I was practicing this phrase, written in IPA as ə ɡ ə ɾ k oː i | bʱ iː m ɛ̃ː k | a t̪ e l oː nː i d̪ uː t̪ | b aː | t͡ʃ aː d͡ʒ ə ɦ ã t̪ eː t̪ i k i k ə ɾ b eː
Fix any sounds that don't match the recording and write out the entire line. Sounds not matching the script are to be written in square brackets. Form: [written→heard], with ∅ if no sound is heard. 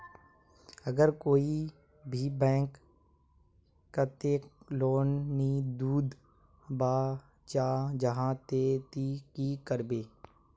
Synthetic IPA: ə ɡ ə ɾ k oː i | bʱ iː [m→b] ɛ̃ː k | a t̪ e l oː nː i d̪ uː [t̪→d̪] | b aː | t͡ʃ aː d͡ʒ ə ɦ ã t̪ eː t̪ i k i k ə ɾ b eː